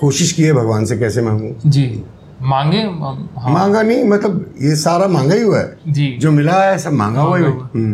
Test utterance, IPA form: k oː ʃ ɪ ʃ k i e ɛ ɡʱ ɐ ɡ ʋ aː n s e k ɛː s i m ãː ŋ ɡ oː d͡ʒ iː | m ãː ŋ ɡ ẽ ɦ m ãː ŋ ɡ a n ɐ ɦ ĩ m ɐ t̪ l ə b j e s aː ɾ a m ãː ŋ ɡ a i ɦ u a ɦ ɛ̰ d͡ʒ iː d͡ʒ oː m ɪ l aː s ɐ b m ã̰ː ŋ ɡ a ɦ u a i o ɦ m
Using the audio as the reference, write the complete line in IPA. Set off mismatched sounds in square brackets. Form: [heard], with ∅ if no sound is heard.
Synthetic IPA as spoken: k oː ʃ ɪ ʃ k i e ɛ [bʱ] ɐ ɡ ʋ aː n s e k ɛː s [e] m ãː ŋ ɡ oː d͡ʒ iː | m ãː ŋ ɡ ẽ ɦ m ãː ŋ ɡ a n ɐ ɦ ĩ m ɐ t̪ l ə b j e s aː ɾ a m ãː ŋ ɡ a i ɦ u a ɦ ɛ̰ d͡ʒ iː d͡ʒ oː m ɪ l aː s ɐ b m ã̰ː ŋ ɡ a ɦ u a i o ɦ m